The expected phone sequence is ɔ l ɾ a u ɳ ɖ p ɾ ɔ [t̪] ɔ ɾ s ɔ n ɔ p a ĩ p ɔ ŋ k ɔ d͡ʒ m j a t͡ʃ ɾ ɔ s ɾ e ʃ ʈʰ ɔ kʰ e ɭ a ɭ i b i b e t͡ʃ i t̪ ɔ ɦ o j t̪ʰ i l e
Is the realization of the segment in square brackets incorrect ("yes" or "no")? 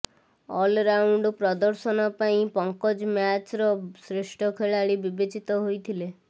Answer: yes